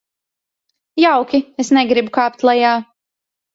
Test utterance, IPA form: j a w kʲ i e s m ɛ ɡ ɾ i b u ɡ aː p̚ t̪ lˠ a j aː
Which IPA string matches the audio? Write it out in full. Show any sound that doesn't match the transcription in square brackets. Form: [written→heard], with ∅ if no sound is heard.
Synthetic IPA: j a w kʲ i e s [m→n] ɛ ɡ ɾ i b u [ɡ→k] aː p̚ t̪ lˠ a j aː